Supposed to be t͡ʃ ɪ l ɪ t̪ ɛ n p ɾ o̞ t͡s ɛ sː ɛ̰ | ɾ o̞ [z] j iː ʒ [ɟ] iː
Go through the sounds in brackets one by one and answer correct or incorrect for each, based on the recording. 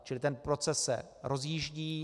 correct, correct

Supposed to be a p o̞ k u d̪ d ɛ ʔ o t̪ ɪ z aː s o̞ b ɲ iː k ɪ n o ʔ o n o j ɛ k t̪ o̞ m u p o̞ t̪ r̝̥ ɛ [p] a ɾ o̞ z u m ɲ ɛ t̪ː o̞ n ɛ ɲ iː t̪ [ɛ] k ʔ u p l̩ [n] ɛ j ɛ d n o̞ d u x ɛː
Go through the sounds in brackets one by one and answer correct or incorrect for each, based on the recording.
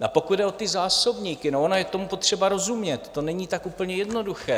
incorrect: b, incorrect: a, incorrect: ɲ

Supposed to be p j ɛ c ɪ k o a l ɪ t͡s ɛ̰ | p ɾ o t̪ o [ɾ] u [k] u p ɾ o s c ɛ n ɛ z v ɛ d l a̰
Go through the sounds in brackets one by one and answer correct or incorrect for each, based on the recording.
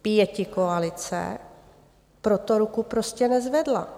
correct, correct

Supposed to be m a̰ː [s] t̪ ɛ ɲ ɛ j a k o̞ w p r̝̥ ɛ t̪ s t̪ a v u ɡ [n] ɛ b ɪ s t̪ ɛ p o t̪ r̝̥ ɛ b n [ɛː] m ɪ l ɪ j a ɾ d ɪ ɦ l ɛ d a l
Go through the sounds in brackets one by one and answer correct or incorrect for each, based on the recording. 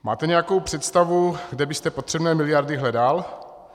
incorrect: none, incorrect: d, correct

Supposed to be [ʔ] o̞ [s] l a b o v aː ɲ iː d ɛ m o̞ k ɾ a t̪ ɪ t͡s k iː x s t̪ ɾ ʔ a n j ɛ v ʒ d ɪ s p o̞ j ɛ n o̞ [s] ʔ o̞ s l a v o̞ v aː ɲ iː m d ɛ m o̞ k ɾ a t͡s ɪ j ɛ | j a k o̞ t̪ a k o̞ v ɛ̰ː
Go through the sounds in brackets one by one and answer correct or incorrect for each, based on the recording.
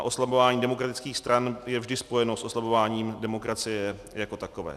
correct, correct, correct

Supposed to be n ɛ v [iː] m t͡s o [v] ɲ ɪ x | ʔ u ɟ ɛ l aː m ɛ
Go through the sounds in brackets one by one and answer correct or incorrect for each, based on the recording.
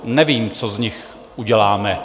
correct, incorrect: z

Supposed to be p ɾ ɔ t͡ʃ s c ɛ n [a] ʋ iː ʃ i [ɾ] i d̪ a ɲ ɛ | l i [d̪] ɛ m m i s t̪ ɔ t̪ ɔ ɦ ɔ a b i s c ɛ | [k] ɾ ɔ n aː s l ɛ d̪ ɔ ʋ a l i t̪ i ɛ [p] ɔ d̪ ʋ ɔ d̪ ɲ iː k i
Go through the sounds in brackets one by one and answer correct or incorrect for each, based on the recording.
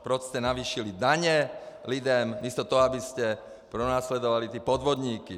correct, incorrect: l, correct, incorrect: p, correct

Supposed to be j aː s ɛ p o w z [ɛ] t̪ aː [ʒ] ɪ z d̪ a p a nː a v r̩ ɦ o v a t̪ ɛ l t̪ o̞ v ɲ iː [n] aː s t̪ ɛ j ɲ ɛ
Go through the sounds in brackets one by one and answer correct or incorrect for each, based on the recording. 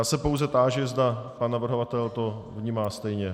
correct, correct, incorrect: m

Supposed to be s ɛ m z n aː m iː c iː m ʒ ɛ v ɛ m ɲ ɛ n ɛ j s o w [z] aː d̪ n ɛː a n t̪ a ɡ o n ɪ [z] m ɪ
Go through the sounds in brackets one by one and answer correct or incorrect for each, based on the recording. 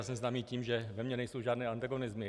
incorrect: ʒ, correct

